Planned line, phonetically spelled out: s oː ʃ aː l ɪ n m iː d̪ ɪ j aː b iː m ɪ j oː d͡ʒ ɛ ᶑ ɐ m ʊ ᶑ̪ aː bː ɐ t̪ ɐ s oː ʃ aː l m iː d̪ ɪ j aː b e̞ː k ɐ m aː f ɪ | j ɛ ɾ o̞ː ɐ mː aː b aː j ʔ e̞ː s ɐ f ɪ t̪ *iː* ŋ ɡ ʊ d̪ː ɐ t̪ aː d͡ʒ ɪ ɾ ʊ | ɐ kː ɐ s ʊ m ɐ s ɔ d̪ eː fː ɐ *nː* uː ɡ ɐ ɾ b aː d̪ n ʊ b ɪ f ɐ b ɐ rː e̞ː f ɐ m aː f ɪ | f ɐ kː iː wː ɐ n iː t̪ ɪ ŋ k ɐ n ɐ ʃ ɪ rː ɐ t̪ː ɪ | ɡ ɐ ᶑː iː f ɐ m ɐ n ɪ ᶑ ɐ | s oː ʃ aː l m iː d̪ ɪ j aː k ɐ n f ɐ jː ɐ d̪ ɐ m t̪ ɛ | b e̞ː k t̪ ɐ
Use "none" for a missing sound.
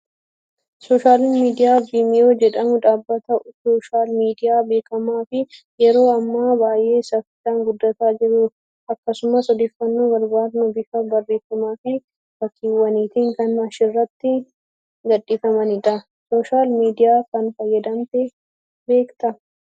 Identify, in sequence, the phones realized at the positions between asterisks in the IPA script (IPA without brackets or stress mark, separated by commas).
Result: aː, nː